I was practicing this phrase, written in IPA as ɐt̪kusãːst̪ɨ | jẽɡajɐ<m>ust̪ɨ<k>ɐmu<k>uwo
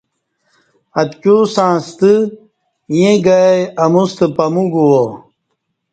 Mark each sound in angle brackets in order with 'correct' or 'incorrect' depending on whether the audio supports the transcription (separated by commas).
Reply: correct, incorrect, incorrect